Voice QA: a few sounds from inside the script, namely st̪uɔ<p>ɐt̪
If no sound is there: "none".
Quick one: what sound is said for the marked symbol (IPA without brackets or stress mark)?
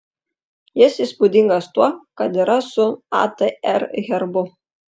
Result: k